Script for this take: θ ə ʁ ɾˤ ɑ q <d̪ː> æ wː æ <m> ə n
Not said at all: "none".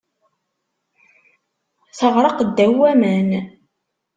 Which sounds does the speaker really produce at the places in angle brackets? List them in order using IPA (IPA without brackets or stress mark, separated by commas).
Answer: d̪ː, m